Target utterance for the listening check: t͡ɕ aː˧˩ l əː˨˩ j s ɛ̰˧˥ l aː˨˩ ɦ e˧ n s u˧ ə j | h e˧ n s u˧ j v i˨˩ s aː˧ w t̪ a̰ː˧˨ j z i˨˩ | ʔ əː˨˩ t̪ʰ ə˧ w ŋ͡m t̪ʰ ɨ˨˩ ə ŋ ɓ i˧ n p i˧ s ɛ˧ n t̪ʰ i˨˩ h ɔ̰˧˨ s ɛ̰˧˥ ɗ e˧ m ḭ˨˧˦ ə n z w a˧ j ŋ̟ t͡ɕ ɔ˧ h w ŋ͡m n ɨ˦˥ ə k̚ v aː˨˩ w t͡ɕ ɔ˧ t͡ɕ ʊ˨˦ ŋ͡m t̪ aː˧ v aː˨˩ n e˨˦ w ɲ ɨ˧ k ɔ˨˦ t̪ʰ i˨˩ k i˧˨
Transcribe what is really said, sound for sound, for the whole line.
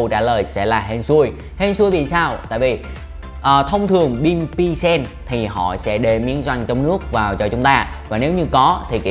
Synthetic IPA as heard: t͡ɕ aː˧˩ l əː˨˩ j s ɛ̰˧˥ l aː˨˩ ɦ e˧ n s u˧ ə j | h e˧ n s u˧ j v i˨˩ s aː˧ w t̪ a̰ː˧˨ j v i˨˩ | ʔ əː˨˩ t̪ʰ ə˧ w ŋ͡m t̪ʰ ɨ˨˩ ə ŋ ɓ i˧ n p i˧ s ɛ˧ n t̪ʰ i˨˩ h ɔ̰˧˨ s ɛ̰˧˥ ɗ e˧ m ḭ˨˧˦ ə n z w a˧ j ŋ̟ t͡ɕ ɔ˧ w ŋ͡m n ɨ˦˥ ə k̚ v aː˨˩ w t͡ɕ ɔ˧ t͡ɕ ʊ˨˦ ŋ͡m t̪ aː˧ v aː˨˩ n e˨˦ w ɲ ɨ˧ k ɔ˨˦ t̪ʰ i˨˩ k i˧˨